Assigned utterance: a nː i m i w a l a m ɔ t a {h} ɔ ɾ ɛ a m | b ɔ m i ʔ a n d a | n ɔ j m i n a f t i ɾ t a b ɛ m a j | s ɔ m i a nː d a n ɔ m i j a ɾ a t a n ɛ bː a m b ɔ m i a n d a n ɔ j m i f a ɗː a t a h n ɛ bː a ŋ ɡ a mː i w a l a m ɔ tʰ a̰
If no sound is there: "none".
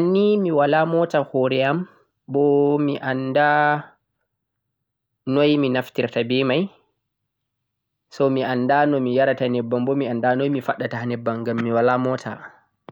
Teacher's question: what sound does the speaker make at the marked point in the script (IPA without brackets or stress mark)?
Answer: h